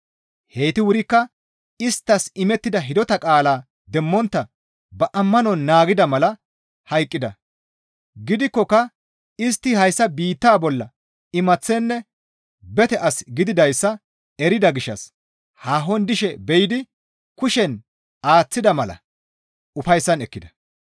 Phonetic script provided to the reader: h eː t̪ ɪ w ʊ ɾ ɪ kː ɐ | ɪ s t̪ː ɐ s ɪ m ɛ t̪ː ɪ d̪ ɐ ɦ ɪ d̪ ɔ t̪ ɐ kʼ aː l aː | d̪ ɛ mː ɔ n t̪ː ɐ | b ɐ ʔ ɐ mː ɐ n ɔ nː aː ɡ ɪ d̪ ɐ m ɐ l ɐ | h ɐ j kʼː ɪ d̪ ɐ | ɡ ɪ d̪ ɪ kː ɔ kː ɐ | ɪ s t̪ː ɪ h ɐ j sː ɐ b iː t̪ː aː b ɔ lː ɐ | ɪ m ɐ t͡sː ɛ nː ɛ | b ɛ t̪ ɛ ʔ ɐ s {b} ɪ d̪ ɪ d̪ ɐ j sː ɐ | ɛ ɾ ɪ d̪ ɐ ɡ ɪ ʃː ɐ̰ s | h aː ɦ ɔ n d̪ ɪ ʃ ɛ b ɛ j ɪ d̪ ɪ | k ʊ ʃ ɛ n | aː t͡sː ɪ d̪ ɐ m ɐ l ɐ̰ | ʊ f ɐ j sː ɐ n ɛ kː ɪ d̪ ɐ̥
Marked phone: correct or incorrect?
incorrect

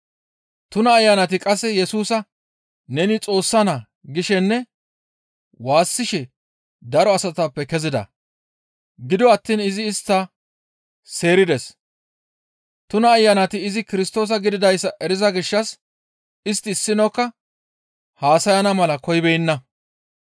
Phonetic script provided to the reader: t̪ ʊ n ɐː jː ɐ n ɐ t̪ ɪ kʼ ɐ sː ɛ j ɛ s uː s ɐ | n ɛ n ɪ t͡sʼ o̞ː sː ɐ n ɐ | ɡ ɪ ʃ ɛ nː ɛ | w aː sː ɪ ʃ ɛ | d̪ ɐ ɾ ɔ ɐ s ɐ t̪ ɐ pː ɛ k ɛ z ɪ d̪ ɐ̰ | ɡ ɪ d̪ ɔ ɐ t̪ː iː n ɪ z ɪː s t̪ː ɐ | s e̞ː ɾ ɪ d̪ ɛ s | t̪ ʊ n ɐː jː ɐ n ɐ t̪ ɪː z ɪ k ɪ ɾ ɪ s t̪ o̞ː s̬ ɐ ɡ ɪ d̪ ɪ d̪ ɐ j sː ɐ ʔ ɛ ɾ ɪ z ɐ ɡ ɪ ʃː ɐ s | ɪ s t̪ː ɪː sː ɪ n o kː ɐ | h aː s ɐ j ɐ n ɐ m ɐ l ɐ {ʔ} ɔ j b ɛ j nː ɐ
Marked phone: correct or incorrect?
incorrect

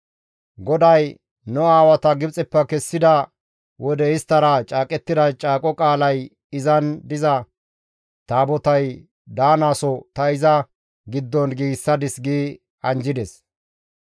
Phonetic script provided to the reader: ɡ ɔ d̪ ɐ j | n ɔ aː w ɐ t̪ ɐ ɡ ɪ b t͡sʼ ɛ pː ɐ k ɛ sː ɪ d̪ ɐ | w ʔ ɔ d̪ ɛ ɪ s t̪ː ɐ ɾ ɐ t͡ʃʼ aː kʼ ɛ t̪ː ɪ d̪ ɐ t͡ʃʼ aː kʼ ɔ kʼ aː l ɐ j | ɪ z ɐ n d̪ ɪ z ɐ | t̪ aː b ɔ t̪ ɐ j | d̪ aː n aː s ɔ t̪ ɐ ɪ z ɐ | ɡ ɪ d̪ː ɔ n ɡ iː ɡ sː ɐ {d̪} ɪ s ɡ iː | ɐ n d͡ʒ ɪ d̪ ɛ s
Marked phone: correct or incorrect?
correct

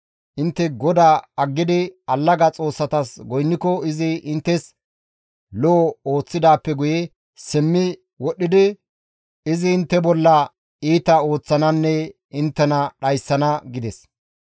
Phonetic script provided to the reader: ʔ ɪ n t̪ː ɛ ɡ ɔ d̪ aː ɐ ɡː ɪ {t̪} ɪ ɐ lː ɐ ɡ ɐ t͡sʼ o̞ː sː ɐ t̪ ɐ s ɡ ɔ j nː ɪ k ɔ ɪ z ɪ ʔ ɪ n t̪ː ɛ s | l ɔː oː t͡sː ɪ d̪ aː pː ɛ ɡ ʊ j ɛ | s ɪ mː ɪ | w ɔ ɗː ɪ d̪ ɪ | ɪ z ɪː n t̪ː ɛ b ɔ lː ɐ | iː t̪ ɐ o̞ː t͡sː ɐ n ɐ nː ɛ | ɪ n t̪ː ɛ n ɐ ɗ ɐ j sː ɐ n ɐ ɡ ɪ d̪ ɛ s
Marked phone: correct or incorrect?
incorrect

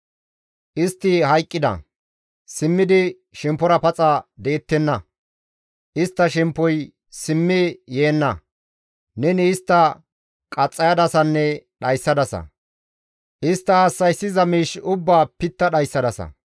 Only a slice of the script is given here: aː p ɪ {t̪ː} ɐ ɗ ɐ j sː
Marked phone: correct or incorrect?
correct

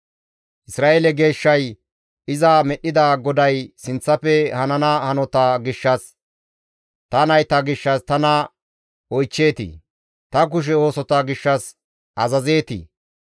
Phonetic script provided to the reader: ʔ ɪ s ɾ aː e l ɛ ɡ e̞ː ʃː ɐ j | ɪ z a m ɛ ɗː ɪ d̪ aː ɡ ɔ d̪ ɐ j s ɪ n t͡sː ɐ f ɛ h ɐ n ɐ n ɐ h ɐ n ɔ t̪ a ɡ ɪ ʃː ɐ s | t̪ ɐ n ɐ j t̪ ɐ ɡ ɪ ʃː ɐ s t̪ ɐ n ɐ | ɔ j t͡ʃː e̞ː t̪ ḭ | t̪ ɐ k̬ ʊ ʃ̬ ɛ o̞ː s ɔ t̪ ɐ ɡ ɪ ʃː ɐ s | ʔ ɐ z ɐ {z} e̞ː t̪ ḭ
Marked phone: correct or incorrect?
correct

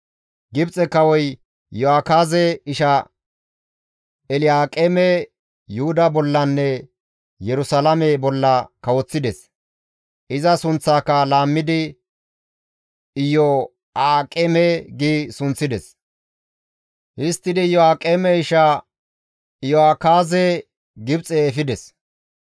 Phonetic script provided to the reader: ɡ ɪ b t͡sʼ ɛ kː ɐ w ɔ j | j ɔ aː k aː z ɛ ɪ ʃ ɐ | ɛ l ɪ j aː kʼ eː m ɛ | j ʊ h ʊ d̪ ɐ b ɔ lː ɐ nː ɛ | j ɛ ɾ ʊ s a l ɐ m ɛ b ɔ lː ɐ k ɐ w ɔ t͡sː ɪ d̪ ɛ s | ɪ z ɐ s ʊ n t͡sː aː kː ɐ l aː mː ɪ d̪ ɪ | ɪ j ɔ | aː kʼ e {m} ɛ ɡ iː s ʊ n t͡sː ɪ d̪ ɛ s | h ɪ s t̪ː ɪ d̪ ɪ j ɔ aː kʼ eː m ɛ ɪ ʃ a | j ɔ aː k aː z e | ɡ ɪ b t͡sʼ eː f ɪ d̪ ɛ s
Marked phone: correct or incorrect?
correct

